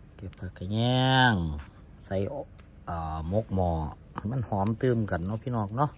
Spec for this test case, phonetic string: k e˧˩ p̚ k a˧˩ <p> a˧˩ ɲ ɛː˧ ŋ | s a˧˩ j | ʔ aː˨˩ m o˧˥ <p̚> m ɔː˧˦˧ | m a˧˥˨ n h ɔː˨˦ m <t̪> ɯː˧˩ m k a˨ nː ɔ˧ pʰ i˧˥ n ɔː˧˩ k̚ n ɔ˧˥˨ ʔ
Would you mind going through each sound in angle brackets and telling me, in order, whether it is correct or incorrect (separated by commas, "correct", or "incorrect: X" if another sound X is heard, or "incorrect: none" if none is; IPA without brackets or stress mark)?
incorrect: k, incorrect: k̚, correct